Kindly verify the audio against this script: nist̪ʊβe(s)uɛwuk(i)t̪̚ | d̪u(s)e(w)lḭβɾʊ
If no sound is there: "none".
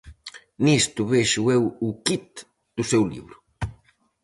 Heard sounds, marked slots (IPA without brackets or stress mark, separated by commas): ʃ, i, s, w